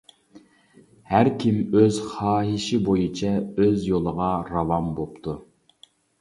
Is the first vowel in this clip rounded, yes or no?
no